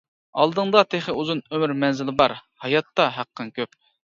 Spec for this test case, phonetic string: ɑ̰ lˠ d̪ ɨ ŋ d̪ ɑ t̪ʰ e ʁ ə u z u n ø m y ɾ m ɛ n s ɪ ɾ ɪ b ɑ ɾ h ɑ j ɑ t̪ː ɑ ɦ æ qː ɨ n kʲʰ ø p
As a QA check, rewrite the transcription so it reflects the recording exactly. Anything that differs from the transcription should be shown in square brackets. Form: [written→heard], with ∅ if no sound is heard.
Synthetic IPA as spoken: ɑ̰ lˠ d̪ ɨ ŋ d̪ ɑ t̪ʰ e [ʁ→χ] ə u z u n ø m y ɾ m ɛ n [s→z] ɪ [ɾ→l] ɪ b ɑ ɾ h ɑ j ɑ t̪ː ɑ ɦ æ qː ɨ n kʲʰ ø p